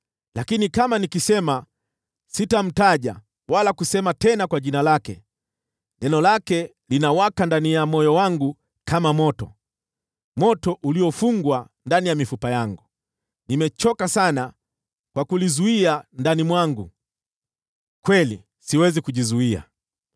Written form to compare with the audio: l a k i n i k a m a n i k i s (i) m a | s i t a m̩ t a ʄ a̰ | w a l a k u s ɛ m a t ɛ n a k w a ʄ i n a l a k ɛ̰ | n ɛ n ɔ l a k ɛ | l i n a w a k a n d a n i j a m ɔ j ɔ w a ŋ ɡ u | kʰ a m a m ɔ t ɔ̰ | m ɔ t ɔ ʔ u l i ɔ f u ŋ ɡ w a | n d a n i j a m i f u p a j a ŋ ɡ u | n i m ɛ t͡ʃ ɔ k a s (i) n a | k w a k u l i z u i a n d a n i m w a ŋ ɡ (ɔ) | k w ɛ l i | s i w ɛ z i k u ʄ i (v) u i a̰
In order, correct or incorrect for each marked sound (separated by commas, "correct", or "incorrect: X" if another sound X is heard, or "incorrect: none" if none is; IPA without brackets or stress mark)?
incorrect: ɛ, incorrect: a, incorrect: u, incorrect: z